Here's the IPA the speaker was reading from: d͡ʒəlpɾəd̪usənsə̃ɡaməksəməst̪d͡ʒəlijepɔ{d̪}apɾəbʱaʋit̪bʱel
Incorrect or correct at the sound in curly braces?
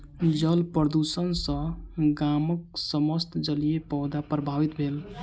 correct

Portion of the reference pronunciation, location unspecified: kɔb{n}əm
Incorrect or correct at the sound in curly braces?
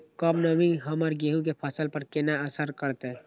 correct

